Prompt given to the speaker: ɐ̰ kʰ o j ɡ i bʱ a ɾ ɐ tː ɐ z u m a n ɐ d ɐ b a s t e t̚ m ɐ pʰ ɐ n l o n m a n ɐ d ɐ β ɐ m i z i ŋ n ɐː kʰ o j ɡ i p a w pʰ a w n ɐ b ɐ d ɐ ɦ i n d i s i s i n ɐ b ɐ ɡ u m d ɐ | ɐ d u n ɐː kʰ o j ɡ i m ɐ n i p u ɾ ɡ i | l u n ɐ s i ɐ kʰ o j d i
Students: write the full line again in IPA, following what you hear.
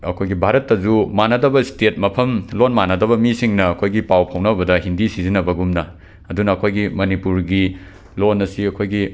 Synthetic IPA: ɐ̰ kʰ o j ɡ i bʱ a ɾ ɐ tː ɐ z u m a n ɐ d ɐ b ɐ s t e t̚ m ɐ pʰ ɐ m l o n m a n ɐ d ɐ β ɐ m i s i ŋ n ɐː kʰ o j ɡ i p a w pʰ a w n ɐ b ɐ d ɐ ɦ i n d i s i z i n ɐ b ɐ ɡ u m n ɐ | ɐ d u n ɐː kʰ o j ɡ i m ɐ n i p u ɾ ɡ i | l o n ɐ s i ɐ kʰ o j ɡ i

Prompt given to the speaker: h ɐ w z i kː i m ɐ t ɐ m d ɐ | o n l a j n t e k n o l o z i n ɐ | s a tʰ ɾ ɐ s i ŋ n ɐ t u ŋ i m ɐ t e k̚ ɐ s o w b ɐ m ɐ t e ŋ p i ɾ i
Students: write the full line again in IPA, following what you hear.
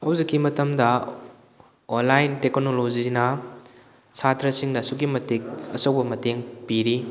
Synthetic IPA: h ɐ w z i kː i m ɐ t ɐ m d ɐ | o n l a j n t e k n o l o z i n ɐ | s a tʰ ɾ ɐ s i ŋ n ɐ s u ɡ i m ɐ t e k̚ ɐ s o w b ɐ m ɐ t e ŋ p i ɾ i

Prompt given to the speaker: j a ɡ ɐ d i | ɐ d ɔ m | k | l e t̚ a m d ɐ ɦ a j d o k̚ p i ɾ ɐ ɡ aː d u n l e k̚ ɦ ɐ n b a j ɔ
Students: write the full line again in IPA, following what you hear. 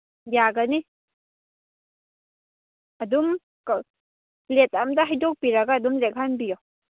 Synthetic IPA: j a ɡ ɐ n i | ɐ d u m | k | l e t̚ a m d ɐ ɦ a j d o k̚ p i ɾ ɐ ɡ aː d u m l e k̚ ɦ a n b i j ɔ

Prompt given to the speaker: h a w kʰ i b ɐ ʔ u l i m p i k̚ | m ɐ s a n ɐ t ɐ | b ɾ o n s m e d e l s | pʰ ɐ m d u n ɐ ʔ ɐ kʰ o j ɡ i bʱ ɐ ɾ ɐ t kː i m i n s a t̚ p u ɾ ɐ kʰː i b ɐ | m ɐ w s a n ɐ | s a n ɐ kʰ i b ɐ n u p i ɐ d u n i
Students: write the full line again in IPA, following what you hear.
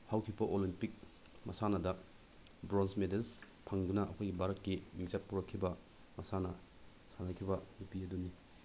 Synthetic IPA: h a w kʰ i b ɐ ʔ o l i m p i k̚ | m ɐ s a n ɐ d ɐ | b ɾ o n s m e d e l s | pʰ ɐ ŋ d u n ɐ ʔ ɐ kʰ o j ɡ i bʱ a ɾ ɐ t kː i m i ŋ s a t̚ p u ɾ ɐ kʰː i b ɐ | m ɐ s a n ɐ | s a n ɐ kʰ i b ɐ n u p i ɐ d u n i

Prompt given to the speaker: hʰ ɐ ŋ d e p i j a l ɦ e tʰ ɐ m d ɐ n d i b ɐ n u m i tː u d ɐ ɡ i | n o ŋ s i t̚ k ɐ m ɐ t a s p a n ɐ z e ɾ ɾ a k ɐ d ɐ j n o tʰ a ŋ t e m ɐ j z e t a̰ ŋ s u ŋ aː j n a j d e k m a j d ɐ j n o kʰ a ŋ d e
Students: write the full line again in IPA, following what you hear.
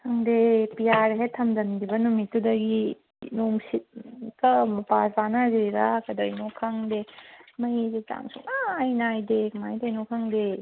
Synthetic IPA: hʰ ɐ ŋ d e p i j a ɾ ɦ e tʰ ɐ m d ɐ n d i b ɐ n u m i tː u d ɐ ɡ i | n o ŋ s i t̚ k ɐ m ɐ p a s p a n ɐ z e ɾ ɾ a k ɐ d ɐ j n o kʰ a ŋ d e m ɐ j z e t a̰ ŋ s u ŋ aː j n a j d e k m a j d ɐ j n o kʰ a ŋ d e

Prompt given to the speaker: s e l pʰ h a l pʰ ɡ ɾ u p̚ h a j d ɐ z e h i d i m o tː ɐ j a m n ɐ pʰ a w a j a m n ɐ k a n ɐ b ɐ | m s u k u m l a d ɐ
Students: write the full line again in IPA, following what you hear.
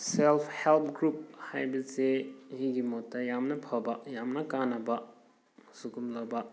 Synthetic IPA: s e l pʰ h e l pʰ ɡ ɾ u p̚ h a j b ɐ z e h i ɡ i m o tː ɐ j a m n ɐ pʰ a b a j a m n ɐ k a n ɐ b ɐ | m s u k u m l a b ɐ

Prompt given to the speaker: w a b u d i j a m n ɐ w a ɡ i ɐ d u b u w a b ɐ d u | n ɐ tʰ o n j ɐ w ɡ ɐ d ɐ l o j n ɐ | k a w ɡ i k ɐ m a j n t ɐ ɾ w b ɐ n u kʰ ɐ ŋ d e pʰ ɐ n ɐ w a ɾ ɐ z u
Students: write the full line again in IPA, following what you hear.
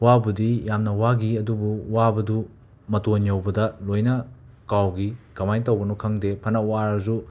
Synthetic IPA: w a b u d i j a m n ɐ w a ɡ i ɐ d u b u w a b ɐ d u | m ɐ t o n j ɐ w b ɐ d ɐ l o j n ɐ | k a w ɡ i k ɐ m a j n t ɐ w b ɐ n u kʰ ɐ ŋ d e pʰ ɐ n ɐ w a ɾ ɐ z u

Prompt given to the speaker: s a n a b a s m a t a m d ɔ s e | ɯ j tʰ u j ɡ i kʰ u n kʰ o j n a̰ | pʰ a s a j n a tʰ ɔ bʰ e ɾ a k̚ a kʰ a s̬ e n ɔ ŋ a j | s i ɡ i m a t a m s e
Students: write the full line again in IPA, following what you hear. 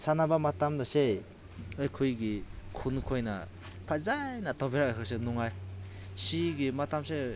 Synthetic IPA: s a n a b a m a t a m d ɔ s e | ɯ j kʰ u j ɡ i kʰ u n kʰ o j n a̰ | pʰ a z a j n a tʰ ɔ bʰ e ɾ a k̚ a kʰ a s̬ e n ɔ ŋ a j | s i ɡ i m a t a m s e

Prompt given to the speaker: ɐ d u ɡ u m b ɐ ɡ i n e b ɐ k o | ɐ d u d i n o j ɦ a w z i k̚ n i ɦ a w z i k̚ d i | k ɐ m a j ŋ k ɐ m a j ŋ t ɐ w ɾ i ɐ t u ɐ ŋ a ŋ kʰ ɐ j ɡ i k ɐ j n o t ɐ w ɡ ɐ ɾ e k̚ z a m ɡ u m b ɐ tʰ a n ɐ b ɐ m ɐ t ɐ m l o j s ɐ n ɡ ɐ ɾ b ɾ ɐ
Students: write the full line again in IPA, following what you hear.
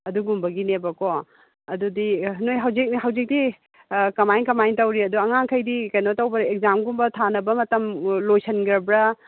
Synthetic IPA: ɐ d u ɡ u m b ɐ ɡ i n e b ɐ k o | ɐ d u d i n o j ɦ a w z i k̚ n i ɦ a w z i k̚ d i | k ɐ m a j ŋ k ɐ m a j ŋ t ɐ w ɾ i ɐ d u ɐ ŋ a ŋ kʰ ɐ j d i k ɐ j n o t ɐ w b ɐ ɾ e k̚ z a m ɡ u m b ɐ tʰ a n ɐ b ɐ m ɐ t ɐ m l o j s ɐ n ɡ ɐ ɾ b ɾ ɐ

